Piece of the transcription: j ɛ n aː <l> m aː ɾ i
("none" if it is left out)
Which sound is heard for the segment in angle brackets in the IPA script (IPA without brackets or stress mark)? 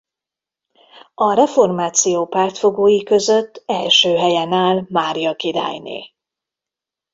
l